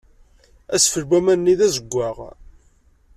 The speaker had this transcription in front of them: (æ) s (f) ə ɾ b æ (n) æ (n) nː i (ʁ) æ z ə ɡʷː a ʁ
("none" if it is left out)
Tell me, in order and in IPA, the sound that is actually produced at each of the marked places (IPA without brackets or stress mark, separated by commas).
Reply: æ, f, m, n, ð